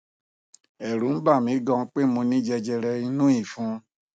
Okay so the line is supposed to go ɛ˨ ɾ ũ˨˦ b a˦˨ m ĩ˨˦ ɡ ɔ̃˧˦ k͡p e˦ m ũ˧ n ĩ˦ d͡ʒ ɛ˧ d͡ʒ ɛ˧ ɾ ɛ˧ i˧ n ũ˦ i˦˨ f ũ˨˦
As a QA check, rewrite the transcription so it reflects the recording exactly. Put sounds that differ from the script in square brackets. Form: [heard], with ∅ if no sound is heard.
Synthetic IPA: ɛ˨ ɾ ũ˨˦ b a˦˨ m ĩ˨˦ ɡ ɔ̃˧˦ k͡p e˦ m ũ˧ n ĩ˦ d͡ʒ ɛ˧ d͡ʒ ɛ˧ ɾ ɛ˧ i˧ n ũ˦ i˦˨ f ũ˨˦